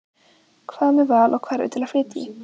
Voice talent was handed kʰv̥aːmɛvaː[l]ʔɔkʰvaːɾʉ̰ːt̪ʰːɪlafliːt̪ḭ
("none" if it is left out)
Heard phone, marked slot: l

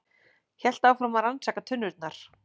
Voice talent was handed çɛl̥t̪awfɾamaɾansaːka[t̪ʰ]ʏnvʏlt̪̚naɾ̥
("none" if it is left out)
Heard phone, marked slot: t̪ʰ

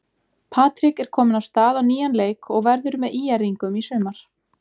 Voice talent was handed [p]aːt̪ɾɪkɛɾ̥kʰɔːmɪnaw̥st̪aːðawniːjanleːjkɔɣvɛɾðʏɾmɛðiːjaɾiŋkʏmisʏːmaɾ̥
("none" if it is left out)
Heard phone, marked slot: pʰ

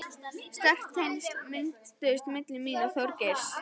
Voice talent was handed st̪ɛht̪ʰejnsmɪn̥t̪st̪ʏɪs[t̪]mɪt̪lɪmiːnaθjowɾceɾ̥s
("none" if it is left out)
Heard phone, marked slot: t̪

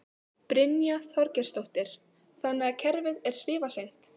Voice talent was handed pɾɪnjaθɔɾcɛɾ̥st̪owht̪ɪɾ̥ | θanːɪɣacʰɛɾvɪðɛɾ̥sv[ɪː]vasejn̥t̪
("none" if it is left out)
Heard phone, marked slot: ɪː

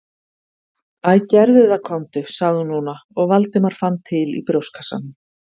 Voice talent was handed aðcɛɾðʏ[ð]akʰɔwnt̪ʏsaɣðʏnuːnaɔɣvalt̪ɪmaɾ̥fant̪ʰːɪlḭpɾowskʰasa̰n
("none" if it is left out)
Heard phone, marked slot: ð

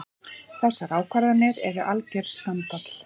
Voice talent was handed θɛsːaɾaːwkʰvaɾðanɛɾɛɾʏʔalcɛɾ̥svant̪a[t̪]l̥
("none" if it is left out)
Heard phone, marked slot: t̪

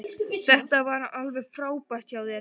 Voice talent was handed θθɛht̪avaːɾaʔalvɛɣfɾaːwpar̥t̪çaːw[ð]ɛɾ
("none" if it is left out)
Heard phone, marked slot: ð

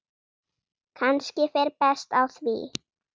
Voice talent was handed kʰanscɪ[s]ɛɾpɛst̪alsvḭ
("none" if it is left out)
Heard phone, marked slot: f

